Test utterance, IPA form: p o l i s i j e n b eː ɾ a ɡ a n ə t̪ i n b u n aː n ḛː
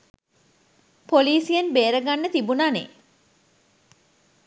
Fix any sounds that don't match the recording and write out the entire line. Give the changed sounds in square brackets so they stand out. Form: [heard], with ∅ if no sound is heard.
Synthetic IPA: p o l [iː] s i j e n b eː ɾ [ə] ɡ a [nː] ə t̪ i [∅] b u n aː n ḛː